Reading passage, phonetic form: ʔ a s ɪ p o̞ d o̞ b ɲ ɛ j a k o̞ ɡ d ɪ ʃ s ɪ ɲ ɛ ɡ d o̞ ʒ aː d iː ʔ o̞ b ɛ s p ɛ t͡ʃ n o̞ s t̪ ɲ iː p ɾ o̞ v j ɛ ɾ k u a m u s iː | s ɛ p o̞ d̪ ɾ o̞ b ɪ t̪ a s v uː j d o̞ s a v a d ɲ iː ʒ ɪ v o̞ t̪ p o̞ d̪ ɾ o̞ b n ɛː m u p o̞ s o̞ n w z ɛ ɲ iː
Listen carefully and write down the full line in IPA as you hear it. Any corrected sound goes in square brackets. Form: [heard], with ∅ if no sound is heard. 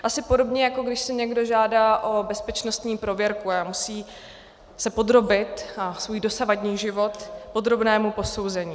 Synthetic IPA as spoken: ʔ a s ɪ p o̞ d o̞ b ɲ ɛ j a k o̞ ɡ d ɪ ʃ s ɪ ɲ ɛ ɡ d o̞ ʒ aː d [aː] ʔ o̞ b ɛ s p ɛ t͡ʃ n o̞ s t̪ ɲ iː p ɾ o̞ v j ɛ ɾ k u a m u s iː | s ɛ p o̞ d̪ ɾ o̞ b ɪ t̪ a s v uː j d o̞ s a v a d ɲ iː ʒ ɪ v o̞ t̪ p o̞ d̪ ɾ o̞ b n ɛː m u p o̞ s o̞ [∅] w z ɛ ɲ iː

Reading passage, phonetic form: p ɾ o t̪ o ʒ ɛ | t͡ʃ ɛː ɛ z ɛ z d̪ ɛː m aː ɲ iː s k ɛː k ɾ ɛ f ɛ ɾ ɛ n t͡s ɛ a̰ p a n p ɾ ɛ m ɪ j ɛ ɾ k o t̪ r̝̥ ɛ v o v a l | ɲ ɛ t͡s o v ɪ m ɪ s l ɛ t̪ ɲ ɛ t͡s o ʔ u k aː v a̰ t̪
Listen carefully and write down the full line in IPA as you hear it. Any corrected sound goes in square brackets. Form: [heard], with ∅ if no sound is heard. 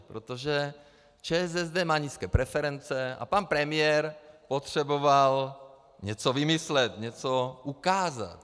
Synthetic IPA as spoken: p ɾ o t̪ o ʒ ɛ | t͡ʃ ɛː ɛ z ɛ z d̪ ɛː m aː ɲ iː s k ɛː [p] ɾ ɛ f ɛ ɾ ɛ n t͡s ɛ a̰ p a n p ɾ ɛ m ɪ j ɛ ɾ [p] o t̪ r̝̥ ɛ [b] o v a l | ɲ ɛ t͡s o v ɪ m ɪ s l ɛ t̪ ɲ ɛ t͡s o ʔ u k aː [z] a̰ t̪

